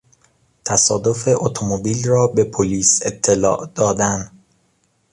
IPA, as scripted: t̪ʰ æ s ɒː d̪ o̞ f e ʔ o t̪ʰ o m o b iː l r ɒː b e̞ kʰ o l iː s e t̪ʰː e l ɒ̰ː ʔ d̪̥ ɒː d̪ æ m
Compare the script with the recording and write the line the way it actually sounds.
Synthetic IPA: t̪ʰ æ s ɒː d̪ o̞ f e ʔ o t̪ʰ o m o b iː l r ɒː b e̞ pʰ o l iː s e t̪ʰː e l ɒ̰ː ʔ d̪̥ ɒː d̪ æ n